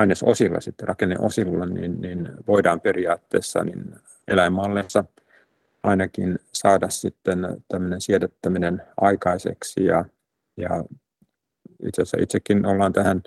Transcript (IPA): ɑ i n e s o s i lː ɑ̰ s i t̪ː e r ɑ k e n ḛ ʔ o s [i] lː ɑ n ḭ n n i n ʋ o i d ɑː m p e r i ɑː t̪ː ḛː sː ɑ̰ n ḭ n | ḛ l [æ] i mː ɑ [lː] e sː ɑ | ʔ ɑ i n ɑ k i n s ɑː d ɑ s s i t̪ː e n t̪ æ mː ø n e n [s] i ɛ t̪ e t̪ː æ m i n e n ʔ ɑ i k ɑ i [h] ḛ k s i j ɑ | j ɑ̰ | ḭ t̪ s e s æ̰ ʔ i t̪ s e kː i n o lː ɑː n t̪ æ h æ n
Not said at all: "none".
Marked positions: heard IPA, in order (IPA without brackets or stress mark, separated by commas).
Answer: i, æ, lː, s, s